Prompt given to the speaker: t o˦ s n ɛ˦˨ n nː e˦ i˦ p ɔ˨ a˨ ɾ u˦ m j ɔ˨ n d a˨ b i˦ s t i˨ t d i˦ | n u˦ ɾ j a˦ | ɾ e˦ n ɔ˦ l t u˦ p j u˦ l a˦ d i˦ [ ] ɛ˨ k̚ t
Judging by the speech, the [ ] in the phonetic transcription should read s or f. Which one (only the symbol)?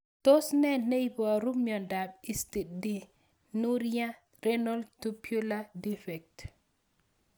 f